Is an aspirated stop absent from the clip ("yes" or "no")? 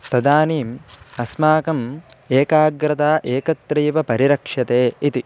yes